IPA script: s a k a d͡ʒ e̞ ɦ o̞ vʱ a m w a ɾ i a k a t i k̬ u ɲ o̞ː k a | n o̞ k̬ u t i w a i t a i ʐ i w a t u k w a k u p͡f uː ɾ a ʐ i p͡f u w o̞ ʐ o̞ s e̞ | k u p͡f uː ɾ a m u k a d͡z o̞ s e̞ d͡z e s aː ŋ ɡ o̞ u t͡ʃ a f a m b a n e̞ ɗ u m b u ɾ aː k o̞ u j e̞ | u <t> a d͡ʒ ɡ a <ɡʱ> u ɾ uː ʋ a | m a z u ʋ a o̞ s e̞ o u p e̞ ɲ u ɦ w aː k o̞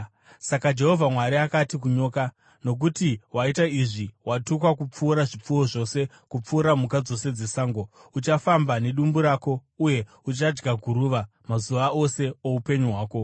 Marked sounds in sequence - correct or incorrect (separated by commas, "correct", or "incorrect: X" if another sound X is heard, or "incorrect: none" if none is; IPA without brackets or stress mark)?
incorrect: t͡ʃ, correct